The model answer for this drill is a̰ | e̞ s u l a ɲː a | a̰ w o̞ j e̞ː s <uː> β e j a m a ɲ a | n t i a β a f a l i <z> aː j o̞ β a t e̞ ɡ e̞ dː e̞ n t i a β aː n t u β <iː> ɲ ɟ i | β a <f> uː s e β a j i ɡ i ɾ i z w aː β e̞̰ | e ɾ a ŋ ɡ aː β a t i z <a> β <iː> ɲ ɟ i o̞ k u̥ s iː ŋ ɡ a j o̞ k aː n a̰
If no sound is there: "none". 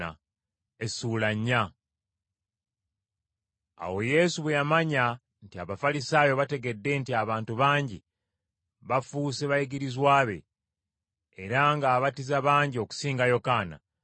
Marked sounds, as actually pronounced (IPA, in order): u, s, aː, f, a, aː

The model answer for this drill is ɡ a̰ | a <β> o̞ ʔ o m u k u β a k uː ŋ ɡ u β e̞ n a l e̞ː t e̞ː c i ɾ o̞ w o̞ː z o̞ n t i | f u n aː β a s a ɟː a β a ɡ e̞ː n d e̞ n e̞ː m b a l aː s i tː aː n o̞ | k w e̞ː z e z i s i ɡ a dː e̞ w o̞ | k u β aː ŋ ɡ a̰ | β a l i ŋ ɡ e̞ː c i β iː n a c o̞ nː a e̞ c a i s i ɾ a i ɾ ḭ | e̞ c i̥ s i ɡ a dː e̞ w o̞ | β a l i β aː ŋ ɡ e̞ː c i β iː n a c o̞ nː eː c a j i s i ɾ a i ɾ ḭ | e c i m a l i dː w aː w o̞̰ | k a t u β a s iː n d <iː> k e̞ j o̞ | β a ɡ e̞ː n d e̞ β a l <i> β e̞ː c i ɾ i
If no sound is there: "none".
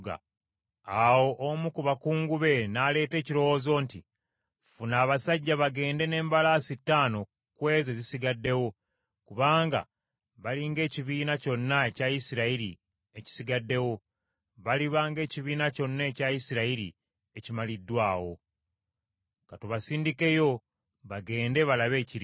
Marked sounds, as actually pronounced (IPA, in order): w, i, a

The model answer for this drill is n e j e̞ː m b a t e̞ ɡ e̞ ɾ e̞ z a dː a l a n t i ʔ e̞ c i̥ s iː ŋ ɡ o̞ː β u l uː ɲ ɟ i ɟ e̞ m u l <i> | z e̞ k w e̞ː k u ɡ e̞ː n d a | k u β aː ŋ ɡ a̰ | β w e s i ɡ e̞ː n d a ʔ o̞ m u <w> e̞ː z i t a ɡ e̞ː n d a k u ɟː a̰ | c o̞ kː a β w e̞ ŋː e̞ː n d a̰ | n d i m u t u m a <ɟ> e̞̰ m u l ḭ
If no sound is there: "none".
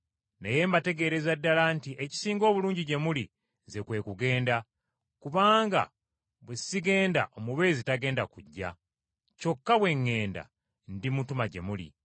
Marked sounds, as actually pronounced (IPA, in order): i, β, ɟ

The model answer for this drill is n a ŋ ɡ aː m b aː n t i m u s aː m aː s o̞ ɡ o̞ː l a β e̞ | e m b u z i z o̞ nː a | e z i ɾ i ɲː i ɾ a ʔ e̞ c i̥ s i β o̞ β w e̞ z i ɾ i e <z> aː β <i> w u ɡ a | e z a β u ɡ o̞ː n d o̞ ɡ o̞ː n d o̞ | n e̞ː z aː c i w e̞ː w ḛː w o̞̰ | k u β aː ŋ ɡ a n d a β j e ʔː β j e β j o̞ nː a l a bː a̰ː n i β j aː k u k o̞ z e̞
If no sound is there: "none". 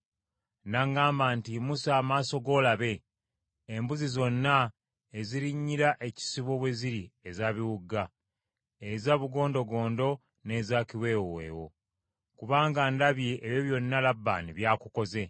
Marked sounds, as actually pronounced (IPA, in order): z, i

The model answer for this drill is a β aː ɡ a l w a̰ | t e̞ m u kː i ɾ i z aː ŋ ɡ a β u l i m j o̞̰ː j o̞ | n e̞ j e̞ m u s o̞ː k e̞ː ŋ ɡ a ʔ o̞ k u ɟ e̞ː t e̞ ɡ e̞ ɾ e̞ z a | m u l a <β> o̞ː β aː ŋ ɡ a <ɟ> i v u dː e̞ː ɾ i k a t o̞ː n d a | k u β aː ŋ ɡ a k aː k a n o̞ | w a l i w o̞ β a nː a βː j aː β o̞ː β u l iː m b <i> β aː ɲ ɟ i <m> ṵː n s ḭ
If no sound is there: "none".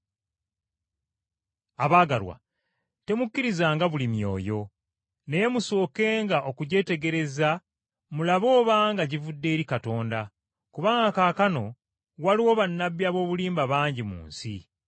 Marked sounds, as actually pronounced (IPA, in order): β, ɟ, a, m

